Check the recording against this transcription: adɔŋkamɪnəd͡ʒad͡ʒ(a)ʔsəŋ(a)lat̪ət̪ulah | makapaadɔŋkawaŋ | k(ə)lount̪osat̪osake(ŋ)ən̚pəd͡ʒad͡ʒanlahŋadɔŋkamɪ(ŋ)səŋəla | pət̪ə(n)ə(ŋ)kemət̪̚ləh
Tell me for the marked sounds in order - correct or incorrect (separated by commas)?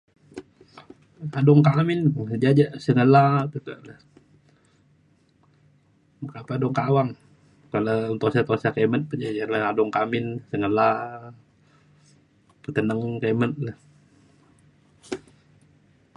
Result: correct, incorrect, incorrect, incorrect, incorrect, correct, correct